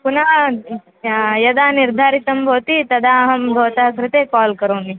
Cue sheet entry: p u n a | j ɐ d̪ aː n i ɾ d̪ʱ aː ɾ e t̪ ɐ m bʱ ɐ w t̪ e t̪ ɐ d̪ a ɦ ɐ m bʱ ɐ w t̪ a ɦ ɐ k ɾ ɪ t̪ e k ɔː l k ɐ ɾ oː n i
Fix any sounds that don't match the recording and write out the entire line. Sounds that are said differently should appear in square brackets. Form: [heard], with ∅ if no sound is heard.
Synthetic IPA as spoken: p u n a | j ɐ d̪ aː n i ɾ d̪ʱ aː ɾ [i] t̪ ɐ m bʱ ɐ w t̪ [i] t̪ ɐ d̪ a ɦ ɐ m bʱ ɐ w t̪ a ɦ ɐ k ɾ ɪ t̪ e k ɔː l k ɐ ɾ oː n i